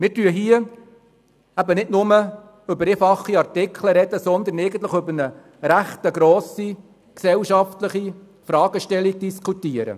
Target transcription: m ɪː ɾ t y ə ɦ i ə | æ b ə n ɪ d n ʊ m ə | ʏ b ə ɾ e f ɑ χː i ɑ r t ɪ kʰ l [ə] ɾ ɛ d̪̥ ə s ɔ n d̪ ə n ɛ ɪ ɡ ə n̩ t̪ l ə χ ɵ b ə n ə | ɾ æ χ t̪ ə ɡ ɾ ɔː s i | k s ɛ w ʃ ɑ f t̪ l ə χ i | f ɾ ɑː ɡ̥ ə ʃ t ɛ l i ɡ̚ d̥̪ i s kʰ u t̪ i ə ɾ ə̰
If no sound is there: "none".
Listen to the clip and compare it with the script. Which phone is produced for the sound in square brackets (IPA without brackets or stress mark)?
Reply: ə